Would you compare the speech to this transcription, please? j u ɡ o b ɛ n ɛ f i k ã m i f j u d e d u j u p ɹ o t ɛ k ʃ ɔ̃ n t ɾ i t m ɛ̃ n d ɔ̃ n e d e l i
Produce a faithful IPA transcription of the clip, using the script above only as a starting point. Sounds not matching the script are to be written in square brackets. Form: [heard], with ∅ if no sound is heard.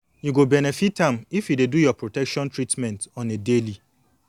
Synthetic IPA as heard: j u ɡ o b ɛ n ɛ f i [t] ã m i f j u d e d u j [ɔ] p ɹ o t ɛ k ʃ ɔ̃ n t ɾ i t m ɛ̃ n [t] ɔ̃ n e d e l i